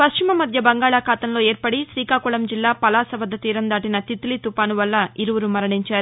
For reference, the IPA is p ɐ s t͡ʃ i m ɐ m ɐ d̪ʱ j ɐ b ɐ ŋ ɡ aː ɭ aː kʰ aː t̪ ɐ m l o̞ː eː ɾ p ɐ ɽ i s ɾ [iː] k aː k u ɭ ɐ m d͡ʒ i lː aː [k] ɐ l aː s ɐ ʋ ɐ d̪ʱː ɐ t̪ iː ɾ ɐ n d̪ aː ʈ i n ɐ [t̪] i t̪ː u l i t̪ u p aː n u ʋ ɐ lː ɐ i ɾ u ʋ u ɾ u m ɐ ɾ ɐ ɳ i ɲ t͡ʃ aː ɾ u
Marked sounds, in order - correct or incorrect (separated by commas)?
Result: correct, incorrect, correct